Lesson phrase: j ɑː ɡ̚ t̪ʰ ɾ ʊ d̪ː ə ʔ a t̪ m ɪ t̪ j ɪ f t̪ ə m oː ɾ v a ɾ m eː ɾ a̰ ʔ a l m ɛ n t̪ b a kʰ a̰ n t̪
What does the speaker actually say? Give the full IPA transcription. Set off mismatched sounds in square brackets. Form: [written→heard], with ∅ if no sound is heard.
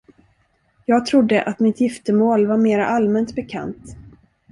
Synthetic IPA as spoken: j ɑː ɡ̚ t̪ʰ ɾ ʊ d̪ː ə ʔ a t̪ m ɪ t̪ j ɪ f t̪ ə m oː [ɾ→l] v a ɾ m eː ɾ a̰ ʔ a l m ɛ n t̪ b [a→ɛ] kʰ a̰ n t̪